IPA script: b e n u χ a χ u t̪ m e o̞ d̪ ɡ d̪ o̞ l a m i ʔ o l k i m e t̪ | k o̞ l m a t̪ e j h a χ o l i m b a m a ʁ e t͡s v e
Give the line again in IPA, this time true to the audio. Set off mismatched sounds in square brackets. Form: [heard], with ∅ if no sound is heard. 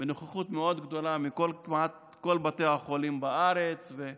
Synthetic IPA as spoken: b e n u χ a χ u t̪ m e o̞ d̪ ɡ d̪ o̞ l a m i [k] o l k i m [a] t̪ | k o̞ l [b] a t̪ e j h a χ o l i m b a [∅] a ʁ e t͡s v e